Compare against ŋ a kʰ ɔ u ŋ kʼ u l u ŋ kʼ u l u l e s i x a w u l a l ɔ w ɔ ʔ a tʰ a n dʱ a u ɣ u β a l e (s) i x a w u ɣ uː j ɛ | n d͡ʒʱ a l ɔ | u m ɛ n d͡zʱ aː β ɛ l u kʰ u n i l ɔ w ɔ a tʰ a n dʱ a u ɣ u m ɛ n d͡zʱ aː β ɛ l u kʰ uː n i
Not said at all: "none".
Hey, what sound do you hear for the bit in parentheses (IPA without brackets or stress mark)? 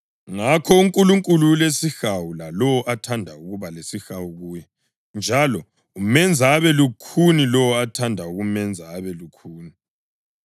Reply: s